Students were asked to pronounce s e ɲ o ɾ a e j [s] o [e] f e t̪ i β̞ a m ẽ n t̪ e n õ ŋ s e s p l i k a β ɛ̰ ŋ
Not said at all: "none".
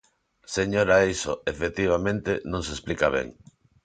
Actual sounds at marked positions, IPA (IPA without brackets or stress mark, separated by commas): s, e